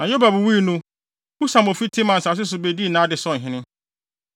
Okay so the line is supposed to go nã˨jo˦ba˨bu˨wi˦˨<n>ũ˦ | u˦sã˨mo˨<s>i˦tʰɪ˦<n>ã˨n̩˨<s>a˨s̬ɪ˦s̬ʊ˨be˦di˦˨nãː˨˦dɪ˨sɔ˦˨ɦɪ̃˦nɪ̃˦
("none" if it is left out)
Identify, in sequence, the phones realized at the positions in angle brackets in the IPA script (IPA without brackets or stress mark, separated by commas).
n, f, m, s